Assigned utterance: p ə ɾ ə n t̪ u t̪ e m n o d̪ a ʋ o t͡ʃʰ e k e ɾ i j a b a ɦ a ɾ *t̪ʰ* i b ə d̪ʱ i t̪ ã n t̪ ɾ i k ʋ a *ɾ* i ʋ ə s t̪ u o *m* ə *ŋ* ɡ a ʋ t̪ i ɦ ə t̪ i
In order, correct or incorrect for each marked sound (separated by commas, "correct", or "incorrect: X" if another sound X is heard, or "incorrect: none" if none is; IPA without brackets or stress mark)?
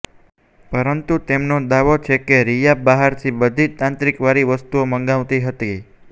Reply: correct, correct, correct, correct